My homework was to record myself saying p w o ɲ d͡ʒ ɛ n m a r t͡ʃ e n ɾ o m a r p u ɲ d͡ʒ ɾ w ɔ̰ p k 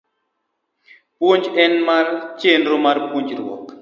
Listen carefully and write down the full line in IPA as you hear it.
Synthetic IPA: p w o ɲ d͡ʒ ɛ n m a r t͡ʃ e n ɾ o m a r p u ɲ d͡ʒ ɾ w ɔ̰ k